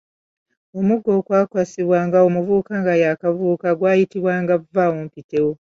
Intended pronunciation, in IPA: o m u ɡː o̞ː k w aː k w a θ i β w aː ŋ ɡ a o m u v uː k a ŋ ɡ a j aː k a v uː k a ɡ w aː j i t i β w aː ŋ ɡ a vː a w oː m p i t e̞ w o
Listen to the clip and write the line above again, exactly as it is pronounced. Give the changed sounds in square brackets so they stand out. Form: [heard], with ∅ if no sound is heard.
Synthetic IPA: o m u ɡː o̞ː k w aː k w a [s] i β w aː ŋ ɡ a o m u v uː k a ŋ ɡ a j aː k a v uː k a ɡ w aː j i t i β w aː ŋ ɡ a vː a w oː m p i t e̞ w o

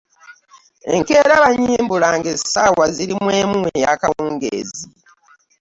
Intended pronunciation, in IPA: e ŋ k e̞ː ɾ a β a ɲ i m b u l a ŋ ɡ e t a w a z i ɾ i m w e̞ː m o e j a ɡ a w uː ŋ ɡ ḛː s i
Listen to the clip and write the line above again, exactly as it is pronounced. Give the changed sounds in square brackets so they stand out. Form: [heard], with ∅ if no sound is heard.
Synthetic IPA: e ŋ k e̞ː ɾ a β a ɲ [iː] m b u l a ŋ ɡ e [s] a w a z i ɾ i m w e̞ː m [u] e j a [k] a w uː ŋ ɡ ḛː [z] i

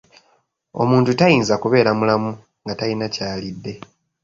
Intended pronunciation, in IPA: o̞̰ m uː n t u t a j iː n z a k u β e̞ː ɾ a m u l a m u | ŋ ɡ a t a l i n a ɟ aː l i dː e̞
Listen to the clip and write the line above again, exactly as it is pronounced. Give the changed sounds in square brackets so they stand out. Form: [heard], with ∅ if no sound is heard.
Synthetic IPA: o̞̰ m uː n t u t a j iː n z a k u β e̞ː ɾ a m u l a m u | ŋ ɡ a t a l i n a [c] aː l i dː e̞

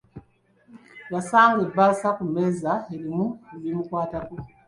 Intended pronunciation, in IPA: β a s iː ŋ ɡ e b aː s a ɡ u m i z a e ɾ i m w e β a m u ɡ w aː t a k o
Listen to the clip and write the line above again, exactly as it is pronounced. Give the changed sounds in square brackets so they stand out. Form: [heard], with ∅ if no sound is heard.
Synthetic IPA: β a s [aː] ŋ ɡ e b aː s a [k] u m [e] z a e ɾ i m [u] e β [i] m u [k] w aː t a k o

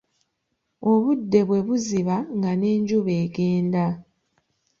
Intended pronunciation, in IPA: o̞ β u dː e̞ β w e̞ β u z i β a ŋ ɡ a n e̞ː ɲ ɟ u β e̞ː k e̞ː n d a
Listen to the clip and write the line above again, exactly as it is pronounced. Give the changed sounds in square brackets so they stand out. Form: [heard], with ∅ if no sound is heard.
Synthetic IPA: o̞ β u dː e̞ β w e̞ β u z i β a ŋ ɡ a n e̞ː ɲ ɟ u β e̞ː [ɡ] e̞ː n d a

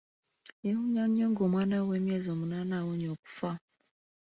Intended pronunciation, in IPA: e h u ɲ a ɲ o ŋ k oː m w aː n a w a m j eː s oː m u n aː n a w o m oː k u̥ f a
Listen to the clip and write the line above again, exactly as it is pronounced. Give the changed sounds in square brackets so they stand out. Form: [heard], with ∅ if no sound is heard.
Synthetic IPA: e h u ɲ a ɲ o ŋ [ɡ] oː m w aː n a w [e] m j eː [z] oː m u n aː n a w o [ɲ] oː k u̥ f a

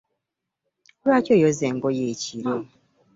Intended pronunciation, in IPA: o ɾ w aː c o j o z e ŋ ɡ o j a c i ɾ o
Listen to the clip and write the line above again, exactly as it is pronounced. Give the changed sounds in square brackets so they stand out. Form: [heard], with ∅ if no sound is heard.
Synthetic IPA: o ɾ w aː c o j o z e ŋ ɡ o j [e] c i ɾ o

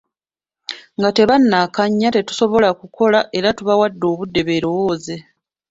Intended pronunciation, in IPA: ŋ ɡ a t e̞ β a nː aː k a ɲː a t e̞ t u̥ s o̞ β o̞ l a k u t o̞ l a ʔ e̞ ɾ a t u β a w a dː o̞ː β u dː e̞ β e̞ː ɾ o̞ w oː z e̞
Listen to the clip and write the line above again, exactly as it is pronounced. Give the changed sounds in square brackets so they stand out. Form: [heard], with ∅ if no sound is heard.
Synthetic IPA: ŋ ɡ a t e̞ β a nː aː k a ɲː a t e̞ t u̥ s o̞ β o̞ l a k u [k] o̞ l a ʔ e̞ ɾ a t u β a w a dː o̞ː β u dː e̞ β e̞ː ɾ o̞ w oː z e̞

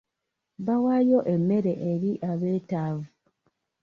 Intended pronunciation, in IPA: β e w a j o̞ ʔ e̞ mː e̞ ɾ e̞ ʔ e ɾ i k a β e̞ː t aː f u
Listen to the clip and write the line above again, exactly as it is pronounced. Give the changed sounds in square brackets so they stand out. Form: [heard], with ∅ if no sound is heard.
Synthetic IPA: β [a] w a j o̞ ʔ e̞ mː e̞ ɾ e̞ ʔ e ɾ i [ʔ] a β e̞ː t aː [v] u

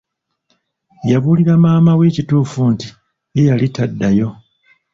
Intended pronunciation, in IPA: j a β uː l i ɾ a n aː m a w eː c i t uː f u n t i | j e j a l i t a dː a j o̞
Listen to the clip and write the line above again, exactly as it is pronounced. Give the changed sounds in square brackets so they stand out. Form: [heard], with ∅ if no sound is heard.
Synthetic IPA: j a β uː l i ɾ a [m] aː m a w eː c i t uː f u n t i | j e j a l i t a dː a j o̞

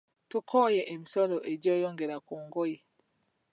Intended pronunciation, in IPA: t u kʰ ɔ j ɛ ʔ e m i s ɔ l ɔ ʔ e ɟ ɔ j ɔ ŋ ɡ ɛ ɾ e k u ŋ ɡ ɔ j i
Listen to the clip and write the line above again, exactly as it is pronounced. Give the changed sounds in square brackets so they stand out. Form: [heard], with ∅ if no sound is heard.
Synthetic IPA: t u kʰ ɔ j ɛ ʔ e m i s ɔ l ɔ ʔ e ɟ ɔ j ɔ ŋ ɡ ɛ ɾ [a] k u ŋ ɡ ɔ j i

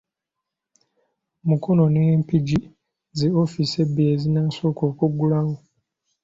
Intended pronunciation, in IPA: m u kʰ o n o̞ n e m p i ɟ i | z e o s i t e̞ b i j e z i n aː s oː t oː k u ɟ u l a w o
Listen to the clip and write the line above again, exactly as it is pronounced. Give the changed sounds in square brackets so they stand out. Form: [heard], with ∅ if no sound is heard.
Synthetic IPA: m u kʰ o n o̞ n e m p i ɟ i | z e o [f] i [s] e̞ b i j e z i n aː s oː [k] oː k u [ɡ] u l a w o

